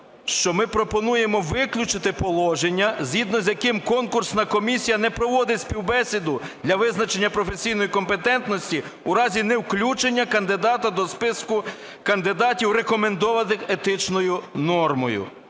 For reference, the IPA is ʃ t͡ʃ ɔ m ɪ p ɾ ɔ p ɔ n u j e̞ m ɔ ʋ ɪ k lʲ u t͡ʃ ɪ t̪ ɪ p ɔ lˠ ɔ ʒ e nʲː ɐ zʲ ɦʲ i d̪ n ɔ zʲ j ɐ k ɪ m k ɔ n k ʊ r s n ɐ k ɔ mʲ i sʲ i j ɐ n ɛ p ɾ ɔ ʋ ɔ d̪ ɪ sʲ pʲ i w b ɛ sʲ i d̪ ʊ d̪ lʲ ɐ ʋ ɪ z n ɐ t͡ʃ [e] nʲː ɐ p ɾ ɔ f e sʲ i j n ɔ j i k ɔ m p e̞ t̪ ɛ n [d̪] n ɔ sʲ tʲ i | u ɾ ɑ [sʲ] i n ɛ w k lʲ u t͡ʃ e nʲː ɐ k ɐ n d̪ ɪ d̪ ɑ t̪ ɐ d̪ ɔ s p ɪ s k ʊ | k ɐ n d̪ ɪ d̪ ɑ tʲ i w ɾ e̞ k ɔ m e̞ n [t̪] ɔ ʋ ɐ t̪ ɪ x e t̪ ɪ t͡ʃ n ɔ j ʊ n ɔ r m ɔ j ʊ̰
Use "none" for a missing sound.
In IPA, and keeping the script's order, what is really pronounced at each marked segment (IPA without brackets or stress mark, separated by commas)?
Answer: e, t̪, zʲ, d̪